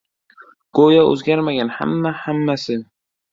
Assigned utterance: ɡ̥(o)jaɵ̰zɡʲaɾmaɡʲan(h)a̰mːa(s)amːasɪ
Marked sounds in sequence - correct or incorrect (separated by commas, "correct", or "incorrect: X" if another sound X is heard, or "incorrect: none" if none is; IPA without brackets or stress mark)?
correct, correct, incorrect: h